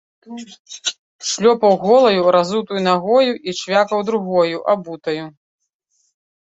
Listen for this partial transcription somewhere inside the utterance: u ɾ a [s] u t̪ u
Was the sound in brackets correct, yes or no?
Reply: no